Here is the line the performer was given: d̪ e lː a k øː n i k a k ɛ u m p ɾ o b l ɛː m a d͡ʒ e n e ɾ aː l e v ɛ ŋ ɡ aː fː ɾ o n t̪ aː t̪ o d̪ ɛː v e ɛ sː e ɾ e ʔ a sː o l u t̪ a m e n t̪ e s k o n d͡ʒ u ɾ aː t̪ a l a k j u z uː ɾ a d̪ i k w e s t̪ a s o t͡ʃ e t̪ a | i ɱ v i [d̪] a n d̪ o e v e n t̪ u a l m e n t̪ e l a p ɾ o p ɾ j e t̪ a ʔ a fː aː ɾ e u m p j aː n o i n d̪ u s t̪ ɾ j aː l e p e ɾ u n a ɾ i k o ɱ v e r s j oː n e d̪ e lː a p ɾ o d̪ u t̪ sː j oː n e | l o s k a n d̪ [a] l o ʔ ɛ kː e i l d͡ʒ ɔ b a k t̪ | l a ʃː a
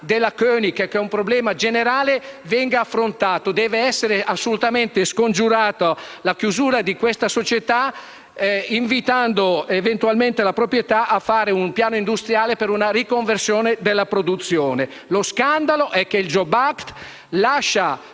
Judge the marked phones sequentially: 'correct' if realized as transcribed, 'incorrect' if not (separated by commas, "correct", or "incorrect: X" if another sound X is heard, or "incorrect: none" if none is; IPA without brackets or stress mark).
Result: incorrect: t̪, correct